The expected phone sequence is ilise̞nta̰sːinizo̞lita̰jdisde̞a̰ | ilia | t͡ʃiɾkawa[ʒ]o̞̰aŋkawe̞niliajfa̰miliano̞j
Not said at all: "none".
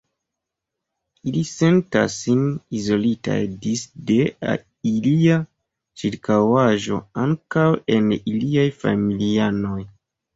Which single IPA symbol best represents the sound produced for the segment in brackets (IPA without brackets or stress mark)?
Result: ʒ